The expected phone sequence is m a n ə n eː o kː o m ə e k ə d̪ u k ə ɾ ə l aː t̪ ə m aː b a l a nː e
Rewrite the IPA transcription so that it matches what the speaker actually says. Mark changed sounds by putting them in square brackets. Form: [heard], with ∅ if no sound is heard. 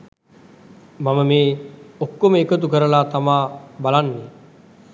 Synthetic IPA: m a [m] ə [m] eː o kː o m ə e k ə [t̪] u k ə ɾ ə l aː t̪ [a] m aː b a l a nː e